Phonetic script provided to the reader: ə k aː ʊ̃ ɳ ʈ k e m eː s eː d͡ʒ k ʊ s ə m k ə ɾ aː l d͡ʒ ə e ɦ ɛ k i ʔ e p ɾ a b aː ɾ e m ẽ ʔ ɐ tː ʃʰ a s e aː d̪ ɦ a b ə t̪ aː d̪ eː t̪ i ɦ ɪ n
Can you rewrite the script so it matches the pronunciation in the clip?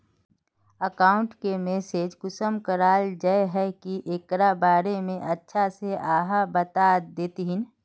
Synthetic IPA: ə k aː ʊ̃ ɳ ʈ k e m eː s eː d͡ʒ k ʊ s ə m k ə ɾ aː l d͡ʒ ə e ɦ ɛ k i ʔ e k ɾ a b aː ɾ e m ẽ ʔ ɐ tː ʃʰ a s e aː ɦ a b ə t̪ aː d̪ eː t̪ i ɦ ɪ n

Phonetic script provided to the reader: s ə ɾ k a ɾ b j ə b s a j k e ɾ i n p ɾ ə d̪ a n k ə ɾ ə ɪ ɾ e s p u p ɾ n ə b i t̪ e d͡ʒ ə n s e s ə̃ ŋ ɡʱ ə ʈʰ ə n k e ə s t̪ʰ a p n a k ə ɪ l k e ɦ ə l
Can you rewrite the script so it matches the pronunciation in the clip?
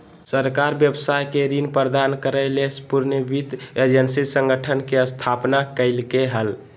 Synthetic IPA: s ə ɾ k a ɾ b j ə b s a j k e ɾ i n p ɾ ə d̪ a n k ə ɾ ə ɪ l e s p u ɾ n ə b i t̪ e d͡ʒ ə n s i s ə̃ ŋ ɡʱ ə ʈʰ ə n k e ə s t̪ʰ a p n a k ə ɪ l k e ɦ ə l

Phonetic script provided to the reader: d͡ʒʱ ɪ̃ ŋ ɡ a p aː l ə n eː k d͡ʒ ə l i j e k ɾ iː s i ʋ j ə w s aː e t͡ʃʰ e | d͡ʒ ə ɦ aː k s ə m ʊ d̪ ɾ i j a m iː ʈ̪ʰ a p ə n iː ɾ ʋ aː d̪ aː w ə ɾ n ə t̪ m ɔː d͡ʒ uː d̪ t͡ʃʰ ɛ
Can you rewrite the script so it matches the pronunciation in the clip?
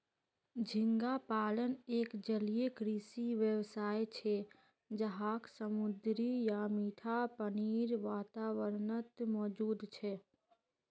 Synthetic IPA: d͡ʒʱ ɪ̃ ŋ ɡ a p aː l ə n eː k d͡ʒ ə l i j e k ɾ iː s i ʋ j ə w s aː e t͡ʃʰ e | d͡ʒ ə ɦ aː k s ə m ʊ d̪ ɾ i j a m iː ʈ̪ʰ a p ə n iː ɾ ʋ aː t̪ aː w ə ɾ n ə t̪ m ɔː d͡ʒ uː d̪ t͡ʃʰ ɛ

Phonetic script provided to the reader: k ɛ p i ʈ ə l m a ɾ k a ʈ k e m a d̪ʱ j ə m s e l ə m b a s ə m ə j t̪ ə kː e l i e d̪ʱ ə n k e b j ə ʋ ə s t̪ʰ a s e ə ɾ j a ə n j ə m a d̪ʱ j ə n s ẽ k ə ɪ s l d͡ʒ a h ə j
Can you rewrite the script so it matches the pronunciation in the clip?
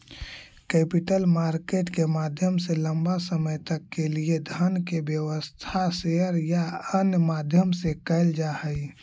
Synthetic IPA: k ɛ p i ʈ ə l m a ɾ k e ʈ k e m a d̪ʱ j ə m s e l ə m b a s ə m ə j t̪ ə kː e l i e d̪ʱ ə n k e b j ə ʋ ə s t̪ʰ a s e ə ɾ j a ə n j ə m a d̪ʱ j ə m s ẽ k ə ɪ l d͡ʒ a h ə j

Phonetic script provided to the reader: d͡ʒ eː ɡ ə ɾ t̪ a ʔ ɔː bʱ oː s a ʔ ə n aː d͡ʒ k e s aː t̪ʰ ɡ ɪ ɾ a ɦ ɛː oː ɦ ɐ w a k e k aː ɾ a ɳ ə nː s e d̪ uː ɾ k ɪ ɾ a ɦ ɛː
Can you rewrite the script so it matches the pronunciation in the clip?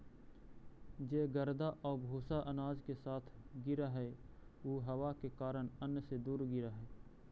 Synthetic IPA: d͡ʒ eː ɡ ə ɾ d̪ a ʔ ɔː bʱ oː s a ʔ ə n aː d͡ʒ k e s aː t̪ʰ ɡ ɪ ɾ a ɦ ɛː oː ɦ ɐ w a k e k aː ɾ ə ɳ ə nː s e d̪ uː ɾ ɡ ɪ ɾ a ɦ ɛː

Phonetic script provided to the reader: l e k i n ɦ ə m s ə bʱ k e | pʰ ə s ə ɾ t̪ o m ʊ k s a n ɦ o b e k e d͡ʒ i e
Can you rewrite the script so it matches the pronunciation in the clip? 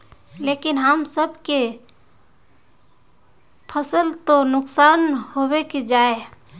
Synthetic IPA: l e k i n ɦ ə m s ə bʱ k e | pʰ ə s ə l t̪ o n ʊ k s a n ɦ o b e k e d͡ʒ a e

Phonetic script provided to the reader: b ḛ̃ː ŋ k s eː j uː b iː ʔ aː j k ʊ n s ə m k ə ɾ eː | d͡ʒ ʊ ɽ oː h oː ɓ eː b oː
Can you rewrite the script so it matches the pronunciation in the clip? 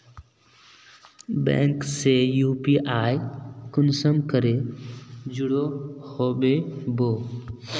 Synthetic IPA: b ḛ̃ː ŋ k s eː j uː p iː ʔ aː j k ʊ n s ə m k ə ɾ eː | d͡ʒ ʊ ɽ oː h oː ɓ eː b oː

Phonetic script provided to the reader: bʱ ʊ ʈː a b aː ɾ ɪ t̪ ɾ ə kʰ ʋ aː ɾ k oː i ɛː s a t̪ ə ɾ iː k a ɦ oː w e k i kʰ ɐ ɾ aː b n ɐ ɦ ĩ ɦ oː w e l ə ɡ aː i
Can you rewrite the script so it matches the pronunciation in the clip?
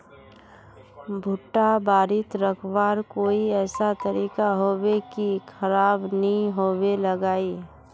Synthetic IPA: bʱ ʊ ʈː a b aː ɾ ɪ t̪ ɾ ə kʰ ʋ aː ɾ k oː i ɛː s a t̪ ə ɾ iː k a ɦ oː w e k i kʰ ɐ ɾ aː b n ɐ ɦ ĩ ɦ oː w e l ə ɡ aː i

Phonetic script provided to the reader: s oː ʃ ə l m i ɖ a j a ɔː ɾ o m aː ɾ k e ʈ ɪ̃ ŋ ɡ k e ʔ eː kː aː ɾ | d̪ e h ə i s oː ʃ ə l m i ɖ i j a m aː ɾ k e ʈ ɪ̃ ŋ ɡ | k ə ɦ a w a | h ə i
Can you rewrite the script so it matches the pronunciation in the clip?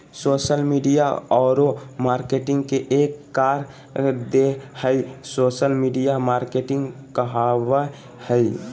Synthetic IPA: s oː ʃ ə l m i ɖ i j a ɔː ɾ o m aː ɾ k e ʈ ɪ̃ ŋ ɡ k e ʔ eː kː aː ɾ | d̪ e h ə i s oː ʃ ə l m i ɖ i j a m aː ɾ k e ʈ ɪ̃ ŋ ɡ | k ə ɦ a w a | h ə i

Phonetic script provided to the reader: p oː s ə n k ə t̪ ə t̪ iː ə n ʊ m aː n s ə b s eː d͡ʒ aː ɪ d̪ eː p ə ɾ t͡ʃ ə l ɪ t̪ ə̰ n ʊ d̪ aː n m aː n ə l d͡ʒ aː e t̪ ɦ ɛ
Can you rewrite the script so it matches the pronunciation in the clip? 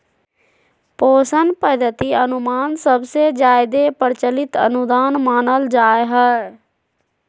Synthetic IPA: p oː s ə n p ə d̪ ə t̪ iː ə n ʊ m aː n s ə b s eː d͡ʒ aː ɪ d̪ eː p ə ɾ t͡ʃ ə l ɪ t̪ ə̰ n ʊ d̪ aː n m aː n ə l d͡ʒ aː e ɦ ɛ

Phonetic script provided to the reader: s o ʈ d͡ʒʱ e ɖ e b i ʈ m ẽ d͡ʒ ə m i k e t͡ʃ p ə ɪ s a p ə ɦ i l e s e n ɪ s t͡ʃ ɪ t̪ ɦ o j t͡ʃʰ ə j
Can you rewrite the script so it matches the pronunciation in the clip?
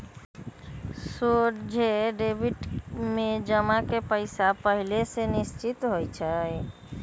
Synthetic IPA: s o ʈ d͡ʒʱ e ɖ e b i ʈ m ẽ d͡ʒ ə m a k e p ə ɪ s a p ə ɦ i l e s e n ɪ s t͡ʃ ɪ t̪ ɦ o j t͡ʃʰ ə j

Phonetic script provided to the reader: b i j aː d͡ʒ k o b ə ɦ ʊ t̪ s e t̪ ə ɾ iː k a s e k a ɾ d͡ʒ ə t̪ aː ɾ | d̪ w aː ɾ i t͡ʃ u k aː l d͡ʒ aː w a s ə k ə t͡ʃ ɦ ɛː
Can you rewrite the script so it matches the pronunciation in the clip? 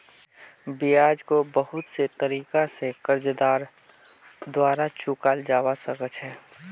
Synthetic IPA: b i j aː d͡ʒ k o b ə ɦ ʊ t̪ s e t̪ ə ɾ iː k a s e k ə ɾ d͡ʒ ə d̪ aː ɾ | d̪ w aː ɾ a t͡ʃ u k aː l d͡ʒ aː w a s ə k ə t͡ʃ ɦ ɛː

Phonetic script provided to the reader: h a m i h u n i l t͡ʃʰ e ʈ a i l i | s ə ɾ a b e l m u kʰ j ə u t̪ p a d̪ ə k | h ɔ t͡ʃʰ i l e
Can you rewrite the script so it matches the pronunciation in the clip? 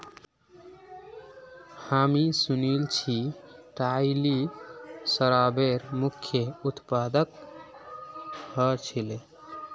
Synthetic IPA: h a m i s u n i l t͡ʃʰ i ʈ a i l i | s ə ɾ a b e ɾ m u kʰ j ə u t̪ p a d̪ ə k | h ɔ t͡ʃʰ i l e

